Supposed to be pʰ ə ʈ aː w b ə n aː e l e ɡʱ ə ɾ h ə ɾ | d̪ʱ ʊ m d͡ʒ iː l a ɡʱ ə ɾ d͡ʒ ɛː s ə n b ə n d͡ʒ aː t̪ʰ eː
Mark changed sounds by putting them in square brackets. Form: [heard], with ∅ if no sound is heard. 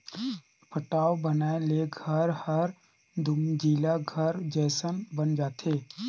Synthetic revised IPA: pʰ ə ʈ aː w b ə n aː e l e ɡʱ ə ɾ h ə ɾ | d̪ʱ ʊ m d͡ʒ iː l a ɡʱ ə ɾ d͡ʒ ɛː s ə n b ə n d͡ʒ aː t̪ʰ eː